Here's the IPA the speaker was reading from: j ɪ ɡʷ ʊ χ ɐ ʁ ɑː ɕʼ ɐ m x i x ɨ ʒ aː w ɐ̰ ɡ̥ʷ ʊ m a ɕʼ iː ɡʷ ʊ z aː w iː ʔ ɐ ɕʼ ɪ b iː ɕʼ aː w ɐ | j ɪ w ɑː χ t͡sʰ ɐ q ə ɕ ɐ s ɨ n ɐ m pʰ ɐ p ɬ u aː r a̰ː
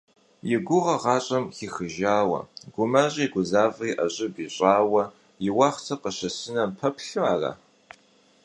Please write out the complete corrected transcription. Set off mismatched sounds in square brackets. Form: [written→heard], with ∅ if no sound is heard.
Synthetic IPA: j ɪ ɡʷ ʊ [χ→ʁ] ɐ ʁ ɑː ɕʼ ɐ m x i x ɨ ʒ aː w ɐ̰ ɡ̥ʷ ʊ m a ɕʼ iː ɡʷ ʊ z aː [w→v] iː ʔ ɐ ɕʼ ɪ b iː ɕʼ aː w ɐ | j ɪ w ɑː χ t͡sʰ ɐ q ə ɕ ɐ s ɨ n ɐ m pʰ ɐ p ɬ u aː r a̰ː